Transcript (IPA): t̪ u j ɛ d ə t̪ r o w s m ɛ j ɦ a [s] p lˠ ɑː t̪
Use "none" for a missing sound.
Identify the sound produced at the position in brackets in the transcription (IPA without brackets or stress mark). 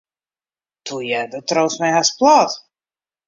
s